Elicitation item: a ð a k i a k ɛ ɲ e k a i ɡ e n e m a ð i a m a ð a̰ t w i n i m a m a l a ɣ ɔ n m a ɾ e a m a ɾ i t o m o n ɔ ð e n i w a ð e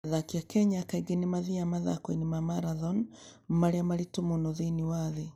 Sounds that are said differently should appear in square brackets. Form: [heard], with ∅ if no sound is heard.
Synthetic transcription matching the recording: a ð a k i a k ɛ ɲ [a] k a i ɡ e n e m a ð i a m a ð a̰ [k] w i n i m a m a [ɾ] a [ð] ɔ n m a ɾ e a m a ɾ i t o m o n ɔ ð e n i w a ð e